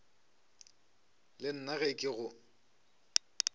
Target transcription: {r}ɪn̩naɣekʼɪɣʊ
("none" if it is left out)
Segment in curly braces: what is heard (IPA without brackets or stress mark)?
l